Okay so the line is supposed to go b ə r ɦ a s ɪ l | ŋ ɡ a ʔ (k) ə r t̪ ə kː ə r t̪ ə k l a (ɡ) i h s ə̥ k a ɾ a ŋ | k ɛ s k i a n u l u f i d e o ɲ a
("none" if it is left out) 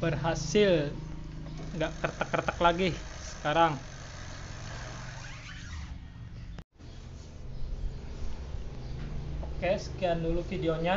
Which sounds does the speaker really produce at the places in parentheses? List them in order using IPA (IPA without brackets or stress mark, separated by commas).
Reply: k, ɡ